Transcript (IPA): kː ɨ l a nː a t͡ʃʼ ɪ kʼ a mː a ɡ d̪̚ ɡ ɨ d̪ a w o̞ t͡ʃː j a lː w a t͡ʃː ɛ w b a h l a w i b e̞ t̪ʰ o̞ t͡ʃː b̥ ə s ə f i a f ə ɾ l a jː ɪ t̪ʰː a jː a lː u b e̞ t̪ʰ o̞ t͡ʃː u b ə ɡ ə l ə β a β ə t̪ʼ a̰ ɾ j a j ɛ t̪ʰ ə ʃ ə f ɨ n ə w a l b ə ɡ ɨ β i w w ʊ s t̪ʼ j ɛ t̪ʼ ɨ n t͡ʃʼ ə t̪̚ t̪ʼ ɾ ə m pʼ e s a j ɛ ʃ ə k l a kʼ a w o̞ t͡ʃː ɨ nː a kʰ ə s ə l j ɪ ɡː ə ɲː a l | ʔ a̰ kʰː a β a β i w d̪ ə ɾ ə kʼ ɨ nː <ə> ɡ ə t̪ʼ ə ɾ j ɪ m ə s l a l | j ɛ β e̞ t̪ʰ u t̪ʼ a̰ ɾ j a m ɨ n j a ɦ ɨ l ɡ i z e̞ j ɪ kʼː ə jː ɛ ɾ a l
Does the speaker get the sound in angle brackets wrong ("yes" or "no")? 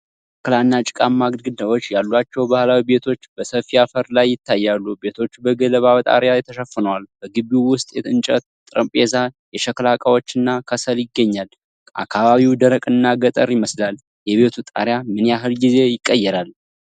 yes